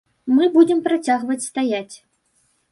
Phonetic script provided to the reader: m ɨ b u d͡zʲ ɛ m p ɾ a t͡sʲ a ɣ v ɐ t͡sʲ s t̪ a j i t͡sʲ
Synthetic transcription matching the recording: m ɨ b u d͡zʲ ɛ m p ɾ a t͡sʲ a ɣ v ɐ t͡sʲ s t̪ a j a t͡sʲ